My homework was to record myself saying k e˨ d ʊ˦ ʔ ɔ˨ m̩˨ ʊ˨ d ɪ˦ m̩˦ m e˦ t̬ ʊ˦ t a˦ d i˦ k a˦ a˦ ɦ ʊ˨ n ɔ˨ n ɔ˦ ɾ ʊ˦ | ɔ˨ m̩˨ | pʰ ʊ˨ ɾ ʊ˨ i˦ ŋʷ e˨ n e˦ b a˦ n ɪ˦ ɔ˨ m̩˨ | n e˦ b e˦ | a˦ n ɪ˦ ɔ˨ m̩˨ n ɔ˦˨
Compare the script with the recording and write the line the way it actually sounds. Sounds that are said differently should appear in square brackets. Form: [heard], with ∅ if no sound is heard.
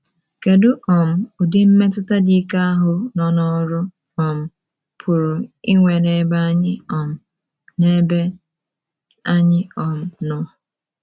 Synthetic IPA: k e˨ d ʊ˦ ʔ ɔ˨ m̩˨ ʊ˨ d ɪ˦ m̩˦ m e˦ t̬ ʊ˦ t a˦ d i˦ k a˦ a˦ ɦ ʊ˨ n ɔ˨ n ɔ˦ ɾ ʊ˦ | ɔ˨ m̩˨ | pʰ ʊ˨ ɾ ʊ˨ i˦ ŋʷ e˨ n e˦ b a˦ [ɲ] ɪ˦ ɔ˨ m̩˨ | n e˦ b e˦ | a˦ [ɲ] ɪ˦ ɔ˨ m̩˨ n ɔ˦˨